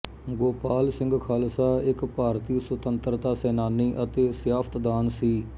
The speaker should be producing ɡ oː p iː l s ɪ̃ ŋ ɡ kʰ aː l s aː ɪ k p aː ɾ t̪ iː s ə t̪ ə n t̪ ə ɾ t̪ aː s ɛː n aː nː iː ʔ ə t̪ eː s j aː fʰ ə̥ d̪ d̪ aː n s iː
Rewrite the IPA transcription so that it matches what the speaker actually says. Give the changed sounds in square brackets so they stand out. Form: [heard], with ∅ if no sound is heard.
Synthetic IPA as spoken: ɡ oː p [aː] l s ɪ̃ ŋ ɡ kʰ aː l s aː ɪ k p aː ɾ t̪ iː s ə t̪ ə n t̪ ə ɾ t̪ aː s ɛː n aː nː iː ʔ ə t̪ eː s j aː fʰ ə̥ [t̪] d̪ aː n s iː